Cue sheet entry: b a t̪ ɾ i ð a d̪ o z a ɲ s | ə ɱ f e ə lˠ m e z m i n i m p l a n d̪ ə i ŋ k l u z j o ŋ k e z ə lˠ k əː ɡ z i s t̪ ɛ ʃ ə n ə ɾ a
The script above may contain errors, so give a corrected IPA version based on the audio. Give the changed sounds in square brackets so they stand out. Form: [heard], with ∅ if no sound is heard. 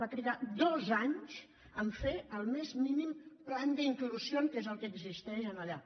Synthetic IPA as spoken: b a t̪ ɾ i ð a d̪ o z a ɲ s | ə ɱ f e ə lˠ m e z m i n i m p l a n d̪ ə i ŋ k l u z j o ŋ k e z ə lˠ k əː ɡ z i s t̪ ɛ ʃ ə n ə [ʎ] a